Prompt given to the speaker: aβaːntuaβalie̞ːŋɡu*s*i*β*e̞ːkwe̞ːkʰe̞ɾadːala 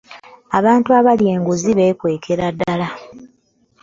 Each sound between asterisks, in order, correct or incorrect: incorrect, correct

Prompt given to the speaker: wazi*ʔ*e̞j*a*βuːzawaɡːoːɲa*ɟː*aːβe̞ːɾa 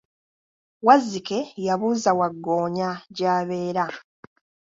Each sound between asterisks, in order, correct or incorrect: incorrect, correct, incorrect

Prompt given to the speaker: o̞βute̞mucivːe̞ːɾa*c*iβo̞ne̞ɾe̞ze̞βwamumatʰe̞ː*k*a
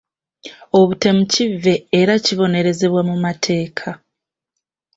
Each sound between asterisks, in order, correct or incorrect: correct, incorrect

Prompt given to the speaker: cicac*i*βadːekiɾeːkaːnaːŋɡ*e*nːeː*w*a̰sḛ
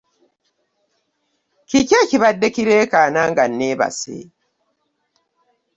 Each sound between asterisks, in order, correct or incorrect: correct, incorrect, incorrect

